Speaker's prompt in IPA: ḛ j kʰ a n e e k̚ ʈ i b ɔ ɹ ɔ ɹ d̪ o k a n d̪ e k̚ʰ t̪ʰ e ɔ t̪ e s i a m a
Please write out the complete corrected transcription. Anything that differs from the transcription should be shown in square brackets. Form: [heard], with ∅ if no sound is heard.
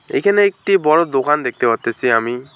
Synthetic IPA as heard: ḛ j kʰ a n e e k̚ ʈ i b ɔ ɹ ɔ [∅] d̪ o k a n d̪ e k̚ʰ [t̪] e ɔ t̪ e s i a m [i]